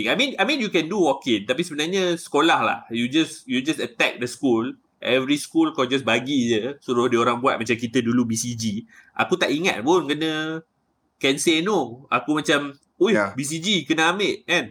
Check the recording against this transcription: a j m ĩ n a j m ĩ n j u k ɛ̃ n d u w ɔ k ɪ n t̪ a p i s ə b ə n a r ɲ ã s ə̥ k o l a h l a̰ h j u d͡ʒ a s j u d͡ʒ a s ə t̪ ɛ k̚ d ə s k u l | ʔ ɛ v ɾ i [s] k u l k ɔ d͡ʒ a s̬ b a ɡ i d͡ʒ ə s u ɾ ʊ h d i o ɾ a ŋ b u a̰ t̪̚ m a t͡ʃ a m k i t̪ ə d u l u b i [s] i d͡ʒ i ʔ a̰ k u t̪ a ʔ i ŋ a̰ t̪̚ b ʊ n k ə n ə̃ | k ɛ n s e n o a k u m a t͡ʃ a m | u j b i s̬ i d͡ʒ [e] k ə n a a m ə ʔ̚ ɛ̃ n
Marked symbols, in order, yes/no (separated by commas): yes, yes, no